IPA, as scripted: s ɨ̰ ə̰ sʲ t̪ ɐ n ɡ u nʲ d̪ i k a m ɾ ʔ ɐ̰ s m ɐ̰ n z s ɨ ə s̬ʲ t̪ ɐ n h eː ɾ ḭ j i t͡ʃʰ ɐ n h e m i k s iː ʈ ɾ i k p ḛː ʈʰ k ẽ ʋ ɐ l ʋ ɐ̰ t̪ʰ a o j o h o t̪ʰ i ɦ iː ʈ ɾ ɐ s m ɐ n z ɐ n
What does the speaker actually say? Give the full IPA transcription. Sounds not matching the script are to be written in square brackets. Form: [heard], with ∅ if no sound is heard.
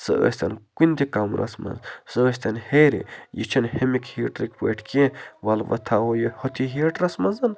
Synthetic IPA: s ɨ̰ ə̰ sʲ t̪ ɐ n [k] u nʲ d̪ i k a m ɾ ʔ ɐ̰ s m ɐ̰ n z s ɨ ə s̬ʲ t̪ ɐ n h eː ɾ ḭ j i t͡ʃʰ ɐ n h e m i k [h] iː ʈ ɾ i k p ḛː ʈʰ k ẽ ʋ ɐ l ʋ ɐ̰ t̪ʰ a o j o h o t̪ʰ i ɦ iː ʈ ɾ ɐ s m ɐ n z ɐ n